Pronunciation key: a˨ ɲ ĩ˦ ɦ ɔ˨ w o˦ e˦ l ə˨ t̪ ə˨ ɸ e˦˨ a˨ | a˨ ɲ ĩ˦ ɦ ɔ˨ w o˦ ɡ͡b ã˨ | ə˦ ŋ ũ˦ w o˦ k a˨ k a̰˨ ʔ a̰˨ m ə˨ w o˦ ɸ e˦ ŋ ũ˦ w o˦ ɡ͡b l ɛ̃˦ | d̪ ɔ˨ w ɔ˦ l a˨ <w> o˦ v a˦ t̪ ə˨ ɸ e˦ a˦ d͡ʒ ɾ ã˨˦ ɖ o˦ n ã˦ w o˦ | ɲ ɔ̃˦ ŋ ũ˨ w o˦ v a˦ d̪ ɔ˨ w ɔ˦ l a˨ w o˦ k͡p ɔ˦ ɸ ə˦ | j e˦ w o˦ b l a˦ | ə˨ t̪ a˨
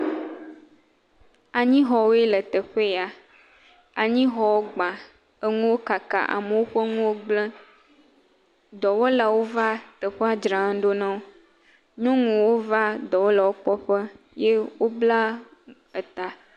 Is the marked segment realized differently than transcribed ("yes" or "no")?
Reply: no